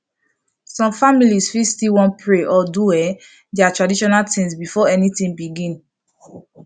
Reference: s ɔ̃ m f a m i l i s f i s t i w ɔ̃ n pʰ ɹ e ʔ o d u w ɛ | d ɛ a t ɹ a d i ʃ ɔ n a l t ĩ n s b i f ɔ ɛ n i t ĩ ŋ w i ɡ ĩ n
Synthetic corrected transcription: s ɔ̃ m f a m i l i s f i s t i w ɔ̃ n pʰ ɹ e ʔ ɔ d u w ɛ | d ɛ a t ɹ a d i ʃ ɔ n a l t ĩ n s b i f ɔ ɛ n i t ĩ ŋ b i ɡ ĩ n